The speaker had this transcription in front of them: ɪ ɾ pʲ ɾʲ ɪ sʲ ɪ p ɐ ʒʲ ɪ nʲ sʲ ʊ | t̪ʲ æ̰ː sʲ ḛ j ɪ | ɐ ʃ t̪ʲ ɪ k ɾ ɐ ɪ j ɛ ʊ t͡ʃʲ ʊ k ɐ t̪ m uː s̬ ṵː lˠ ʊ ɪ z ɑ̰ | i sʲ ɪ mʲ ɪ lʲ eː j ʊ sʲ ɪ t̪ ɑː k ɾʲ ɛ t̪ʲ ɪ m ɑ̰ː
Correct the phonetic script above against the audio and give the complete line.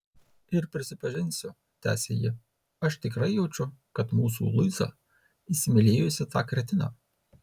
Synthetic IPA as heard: ɪ ɾ pʲ ɾʲ ɪ sʲ ɪ p ɐ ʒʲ ɪ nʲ sʲ ʊ | t̪ʲ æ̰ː sʲ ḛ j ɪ | ɐ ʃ t̪ʲ ɪ k ɾ ɐ ɪ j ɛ ʊ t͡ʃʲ ʊ k ɐ t̪ m uː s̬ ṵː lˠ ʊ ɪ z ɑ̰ | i sʲ ɪ mʲ ɪ lʲ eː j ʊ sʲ ɪ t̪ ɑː k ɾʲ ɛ t̪ʲ ɪ n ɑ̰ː